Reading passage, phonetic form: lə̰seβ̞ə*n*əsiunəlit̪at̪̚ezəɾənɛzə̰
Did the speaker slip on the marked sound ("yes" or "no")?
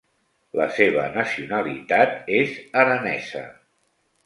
no